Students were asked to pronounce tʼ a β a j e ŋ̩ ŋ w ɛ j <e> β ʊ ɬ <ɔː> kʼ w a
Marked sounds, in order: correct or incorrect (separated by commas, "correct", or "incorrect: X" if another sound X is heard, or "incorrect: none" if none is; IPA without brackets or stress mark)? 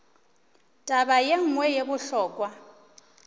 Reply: correct, correct